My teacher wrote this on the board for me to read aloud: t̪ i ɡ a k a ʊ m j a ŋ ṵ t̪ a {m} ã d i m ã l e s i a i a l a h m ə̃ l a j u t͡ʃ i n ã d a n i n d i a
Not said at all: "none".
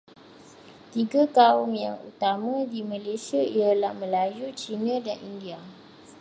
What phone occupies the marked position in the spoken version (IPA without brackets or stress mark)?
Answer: m